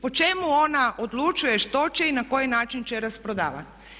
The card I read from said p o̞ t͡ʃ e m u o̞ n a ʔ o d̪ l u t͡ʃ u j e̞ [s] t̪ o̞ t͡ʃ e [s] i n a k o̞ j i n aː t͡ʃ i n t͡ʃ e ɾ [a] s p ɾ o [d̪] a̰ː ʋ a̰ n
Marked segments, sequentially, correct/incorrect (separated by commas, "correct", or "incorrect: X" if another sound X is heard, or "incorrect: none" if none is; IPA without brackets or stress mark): incorrect: ʃ, incorrect: none, correct, correct